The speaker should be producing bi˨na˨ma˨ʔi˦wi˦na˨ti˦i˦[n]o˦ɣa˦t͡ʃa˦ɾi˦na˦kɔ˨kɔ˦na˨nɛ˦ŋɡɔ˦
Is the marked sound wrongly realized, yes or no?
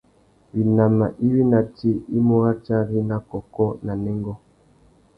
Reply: yes